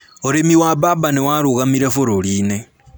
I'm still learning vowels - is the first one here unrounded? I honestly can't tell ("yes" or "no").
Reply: no